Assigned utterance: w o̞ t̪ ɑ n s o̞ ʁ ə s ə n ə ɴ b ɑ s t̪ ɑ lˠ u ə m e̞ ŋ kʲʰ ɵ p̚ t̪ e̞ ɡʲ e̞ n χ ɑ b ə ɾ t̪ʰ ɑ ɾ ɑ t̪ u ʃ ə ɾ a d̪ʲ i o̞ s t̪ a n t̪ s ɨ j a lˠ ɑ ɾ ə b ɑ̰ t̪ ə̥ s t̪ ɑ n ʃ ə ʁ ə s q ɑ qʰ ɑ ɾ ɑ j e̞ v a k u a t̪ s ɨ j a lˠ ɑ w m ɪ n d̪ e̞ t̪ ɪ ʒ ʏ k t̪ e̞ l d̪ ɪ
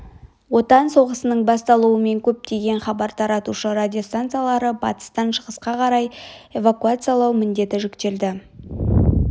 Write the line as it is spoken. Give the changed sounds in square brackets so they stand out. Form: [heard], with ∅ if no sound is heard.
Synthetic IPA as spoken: w o̞ t̪ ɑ n s o̞ ʁ ə s ə n ə ɴ b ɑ s t̪ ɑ lˠ u ə m e̞ ŋ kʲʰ ɵ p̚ t̪ e̞ ɡʲ e̞ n χ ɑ b [ɑ] ɾ t̪ʰ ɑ ɾ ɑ t̪ u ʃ ə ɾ a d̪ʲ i o̞ s t̪ a n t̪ s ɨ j a lˠ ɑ ɾ ə b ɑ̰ t̪ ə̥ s t̪ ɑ n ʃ ə ʁ ə s q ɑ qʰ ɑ ɾ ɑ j e̞ v a k u a t̪ s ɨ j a lˠ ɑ w m ɪ n d̪ e̞ t̪ ɪ ʒ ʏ k t̪ e̞ l d̪ ɪ

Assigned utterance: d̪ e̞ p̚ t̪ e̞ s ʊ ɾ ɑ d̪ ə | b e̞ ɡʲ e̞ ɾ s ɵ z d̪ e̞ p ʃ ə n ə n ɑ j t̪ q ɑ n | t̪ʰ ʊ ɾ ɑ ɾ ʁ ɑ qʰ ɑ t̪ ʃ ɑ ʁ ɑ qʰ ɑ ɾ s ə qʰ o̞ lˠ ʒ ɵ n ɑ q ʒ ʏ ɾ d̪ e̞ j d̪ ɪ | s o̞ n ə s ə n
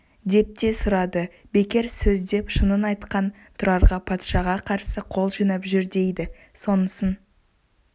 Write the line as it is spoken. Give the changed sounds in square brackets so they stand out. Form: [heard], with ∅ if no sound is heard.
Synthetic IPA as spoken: d̪ e̞ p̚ t̪ e̞ s ʊ ɾ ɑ d̪ ə | b e̞ [kʲ] e̞ ɾ s ɵ z d̪ e̞ p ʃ ə n ə n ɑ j t̪ q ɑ n | t̪ʰ ʊ ɾ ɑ ɾ ʁ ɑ [pʰ] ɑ t̪ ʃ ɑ ʁ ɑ qʰ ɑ ɾ s ə qʰ o̞ lˠ ʒ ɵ n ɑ [p] ʒ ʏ ɾ d̪ e̞ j d̪ ɪ | s o̞ n ə s ə n

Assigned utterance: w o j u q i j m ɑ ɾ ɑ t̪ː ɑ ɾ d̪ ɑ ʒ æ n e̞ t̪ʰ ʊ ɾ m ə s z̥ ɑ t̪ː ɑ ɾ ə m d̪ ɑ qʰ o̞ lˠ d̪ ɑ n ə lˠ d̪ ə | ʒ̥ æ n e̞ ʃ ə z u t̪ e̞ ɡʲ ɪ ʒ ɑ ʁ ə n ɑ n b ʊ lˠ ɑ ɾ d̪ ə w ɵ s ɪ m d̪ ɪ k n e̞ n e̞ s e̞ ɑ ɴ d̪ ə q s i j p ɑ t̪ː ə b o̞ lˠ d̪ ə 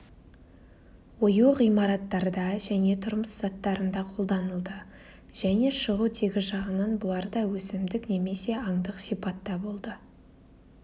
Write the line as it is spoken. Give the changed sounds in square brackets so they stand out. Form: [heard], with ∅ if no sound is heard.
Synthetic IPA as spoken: w o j u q i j m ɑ ɾ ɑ t̪ː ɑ ɾ d̪ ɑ ʒ æ n e̞ t̪ʰ ʊ ɾ m ə s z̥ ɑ t̪ː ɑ ɾ ə [n] d̪ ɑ qʰ o̞ lˠ d̪ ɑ n ə lˠ d̪ ə | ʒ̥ æ n e̞ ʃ ə [ʁ] u [t̪ʰ] e̞ ɡʲ ɪ ʒ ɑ ʁ ə n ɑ n b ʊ lˠ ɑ ɾ d̪ [ɑ] w ɵ s ɪ m d̪ ɪ k n e̞ [m] e̞ s e̞ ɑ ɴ d̪ ə q s i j p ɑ t̪ː [ɑ] b o̞ lˠ d̪ ə

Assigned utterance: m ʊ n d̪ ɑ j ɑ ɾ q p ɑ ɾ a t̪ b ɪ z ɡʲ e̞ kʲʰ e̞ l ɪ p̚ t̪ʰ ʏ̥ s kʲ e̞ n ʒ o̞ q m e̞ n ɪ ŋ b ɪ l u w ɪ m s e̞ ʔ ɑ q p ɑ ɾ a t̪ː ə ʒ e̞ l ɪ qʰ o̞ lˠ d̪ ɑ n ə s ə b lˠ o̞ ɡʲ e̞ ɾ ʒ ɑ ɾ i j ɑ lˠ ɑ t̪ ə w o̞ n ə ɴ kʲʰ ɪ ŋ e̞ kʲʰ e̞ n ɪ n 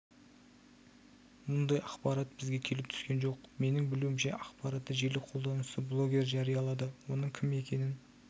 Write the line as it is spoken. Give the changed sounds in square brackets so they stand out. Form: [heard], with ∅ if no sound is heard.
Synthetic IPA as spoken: m ʊ n d̪ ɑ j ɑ [∅] q p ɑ ɾ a t̪ b ɪ z ɡʲ e̞ kʲʰ e̞ l ɪ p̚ t̪ʰ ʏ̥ s kʲ e̞ n ʒ o̞ q m e̞ n ɪ ŋ b ɪ l u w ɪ m [ʃ] e̞ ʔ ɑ q p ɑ ɾ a t̪ː ə ʒ e̞ l ɪ qʰ o̞ lˠ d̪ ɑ n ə s ə b lˠ o̞ ɡʲ e̞ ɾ ʒ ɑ ɾ i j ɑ lˠ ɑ [d̪] ə w o̞ n ə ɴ kʲʰ ɪ [m] e̞ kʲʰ e̞ n ɪ n

